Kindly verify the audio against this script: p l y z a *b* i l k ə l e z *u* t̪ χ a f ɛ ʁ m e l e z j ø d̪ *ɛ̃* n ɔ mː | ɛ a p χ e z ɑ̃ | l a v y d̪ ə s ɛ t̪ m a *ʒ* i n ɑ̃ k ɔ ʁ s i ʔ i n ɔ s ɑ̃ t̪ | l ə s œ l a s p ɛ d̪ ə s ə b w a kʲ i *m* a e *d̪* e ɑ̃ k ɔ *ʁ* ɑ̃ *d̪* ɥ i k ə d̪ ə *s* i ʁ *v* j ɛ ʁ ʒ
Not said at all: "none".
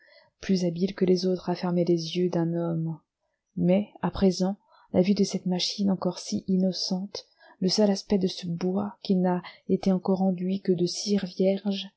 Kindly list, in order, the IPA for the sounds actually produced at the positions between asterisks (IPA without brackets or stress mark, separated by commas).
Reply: b, o, ɛ̃, ʃ, n, t̪, ʁ, d̪, s, v